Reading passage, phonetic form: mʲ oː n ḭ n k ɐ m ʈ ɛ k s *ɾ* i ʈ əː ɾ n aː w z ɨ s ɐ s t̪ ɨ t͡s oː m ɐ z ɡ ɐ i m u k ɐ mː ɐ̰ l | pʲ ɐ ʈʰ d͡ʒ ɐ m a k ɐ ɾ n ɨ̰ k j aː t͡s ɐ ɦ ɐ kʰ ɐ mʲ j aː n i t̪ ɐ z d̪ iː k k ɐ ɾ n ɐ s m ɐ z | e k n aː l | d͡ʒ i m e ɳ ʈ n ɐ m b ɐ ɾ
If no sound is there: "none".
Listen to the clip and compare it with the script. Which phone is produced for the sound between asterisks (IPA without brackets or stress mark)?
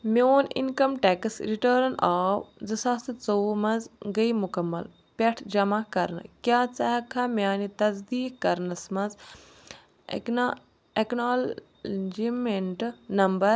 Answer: ɾ